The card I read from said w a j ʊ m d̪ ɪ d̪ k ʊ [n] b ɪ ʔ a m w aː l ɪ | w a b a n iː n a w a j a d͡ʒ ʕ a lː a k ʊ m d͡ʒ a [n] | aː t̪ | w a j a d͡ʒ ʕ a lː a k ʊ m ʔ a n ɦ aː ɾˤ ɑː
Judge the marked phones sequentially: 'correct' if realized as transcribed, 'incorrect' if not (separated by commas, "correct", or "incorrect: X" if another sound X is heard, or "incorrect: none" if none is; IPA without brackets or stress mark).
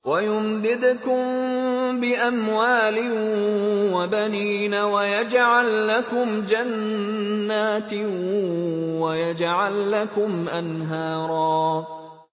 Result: incorrect: m, incorrect: nː